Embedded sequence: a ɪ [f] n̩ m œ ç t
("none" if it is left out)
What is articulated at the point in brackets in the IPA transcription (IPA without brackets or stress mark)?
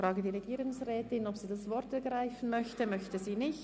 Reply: f